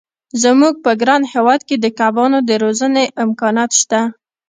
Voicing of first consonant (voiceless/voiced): voiced